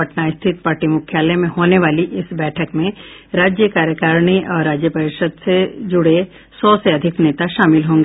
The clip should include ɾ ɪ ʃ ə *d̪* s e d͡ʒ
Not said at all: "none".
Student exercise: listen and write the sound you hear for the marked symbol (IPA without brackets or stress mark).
d̪